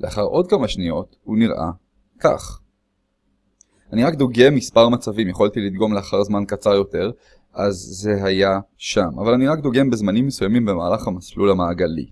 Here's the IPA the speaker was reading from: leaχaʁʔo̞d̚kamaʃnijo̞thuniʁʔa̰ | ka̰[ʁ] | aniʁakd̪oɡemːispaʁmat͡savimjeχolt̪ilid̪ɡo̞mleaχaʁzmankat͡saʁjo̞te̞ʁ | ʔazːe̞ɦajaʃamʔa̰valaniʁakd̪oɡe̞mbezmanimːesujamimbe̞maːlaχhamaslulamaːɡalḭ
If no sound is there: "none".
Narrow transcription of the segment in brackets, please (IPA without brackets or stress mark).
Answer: χ